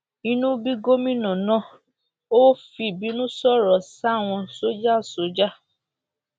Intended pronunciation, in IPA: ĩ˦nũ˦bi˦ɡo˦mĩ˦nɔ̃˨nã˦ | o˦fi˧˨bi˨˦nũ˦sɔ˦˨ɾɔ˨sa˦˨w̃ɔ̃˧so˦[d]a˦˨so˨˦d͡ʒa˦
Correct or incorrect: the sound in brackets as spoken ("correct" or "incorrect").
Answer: incorrect